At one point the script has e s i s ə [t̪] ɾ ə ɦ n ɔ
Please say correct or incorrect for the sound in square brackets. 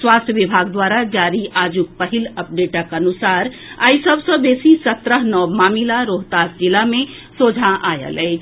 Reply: correct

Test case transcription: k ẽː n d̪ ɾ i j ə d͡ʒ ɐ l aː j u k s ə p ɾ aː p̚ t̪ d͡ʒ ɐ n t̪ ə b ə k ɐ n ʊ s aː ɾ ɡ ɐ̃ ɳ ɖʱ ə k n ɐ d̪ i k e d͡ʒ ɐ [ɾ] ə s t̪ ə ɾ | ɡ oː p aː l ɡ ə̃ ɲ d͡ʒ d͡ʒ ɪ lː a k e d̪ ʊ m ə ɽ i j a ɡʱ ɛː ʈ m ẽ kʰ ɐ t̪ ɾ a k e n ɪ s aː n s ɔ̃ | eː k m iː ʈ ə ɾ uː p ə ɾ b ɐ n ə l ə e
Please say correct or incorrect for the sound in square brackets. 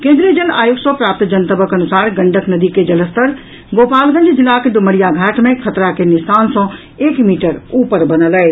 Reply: incorrect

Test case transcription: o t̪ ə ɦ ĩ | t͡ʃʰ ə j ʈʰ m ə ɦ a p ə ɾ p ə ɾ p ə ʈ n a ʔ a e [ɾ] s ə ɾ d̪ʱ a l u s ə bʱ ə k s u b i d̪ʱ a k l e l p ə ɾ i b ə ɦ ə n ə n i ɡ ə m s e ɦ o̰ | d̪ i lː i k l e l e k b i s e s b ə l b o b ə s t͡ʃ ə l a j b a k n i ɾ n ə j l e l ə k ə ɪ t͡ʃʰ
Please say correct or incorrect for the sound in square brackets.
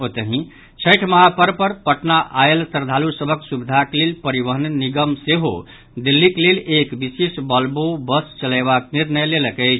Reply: incorrect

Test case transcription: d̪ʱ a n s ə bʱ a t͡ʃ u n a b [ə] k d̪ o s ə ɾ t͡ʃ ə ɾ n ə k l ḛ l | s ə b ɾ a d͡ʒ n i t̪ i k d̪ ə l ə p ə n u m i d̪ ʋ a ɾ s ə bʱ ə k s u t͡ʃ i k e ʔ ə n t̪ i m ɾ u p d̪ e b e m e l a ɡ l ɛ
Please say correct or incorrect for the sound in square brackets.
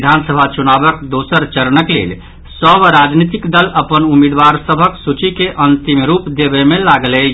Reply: correct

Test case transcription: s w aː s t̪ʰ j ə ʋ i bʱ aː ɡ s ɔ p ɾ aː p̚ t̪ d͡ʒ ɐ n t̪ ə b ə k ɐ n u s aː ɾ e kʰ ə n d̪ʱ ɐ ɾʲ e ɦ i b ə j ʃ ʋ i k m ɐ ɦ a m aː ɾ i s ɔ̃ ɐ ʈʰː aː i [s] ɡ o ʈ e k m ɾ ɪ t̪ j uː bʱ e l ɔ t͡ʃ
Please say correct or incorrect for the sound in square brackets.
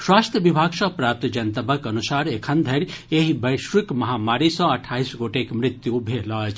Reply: correct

